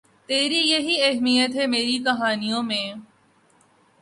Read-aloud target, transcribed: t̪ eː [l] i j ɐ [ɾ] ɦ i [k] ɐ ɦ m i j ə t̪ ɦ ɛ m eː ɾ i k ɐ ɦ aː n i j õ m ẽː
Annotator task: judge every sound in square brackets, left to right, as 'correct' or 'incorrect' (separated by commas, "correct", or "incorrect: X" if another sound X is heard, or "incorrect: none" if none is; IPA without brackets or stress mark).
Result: incorrect: ɾ, incorrect: none, incorrect: none